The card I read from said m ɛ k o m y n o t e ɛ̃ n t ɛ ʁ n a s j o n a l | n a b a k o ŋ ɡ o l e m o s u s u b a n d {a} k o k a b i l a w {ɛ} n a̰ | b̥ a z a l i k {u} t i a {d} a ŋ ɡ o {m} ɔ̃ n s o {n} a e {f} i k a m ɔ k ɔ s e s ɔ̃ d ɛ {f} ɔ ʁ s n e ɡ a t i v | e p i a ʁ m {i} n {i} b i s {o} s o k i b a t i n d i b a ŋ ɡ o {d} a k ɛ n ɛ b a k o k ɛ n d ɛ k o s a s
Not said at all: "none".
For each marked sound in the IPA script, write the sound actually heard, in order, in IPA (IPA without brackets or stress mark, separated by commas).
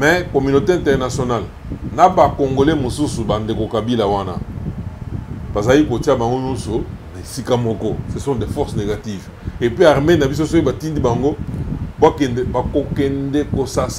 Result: e, a, o, b, ɲ, n, s, f, e, a, o, b